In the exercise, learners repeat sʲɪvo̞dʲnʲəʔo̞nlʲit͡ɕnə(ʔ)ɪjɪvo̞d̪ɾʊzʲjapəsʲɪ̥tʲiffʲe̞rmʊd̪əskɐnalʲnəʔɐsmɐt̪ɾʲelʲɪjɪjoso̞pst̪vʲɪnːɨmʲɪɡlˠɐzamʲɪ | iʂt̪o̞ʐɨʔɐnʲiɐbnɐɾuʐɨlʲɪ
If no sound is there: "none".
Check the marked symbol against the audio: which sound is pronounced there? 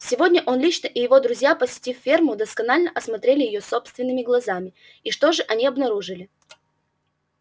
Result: ʔ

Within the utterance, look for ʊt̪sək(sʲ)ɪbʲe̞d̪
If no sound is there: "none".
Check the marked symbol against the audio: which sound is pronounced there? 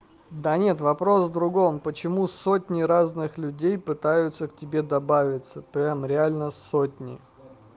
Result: tʲ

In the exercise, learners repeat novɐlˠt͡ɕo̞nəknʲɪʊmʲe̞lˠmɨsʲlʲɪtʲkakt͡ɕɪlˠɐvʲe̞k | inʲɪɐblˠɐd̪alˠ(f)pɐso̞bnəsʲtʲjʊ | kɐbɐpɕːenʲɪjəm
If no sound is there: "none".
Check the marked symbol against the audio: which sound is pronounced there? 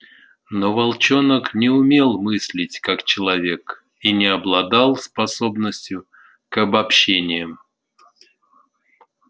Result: s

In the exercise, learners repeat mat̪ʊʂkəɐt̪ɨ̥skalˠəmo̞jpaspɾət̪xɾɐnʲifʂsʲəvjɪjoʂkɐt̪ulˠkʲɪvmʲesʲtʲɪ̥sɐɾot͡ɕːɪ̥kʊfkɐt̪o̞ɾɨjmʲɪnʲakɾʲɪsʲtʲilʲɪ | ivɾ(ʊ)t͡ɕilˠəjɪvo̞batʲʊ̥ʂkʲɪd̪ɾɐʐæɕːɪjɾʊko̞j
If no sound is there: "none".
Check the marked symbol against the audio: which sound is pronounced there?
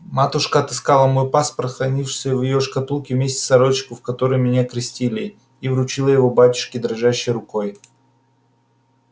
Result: ʊ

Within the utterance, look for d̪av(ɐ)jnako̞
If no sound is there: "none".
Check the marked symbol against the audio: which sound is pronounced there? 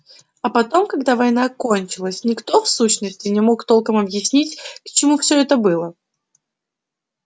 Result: ɐ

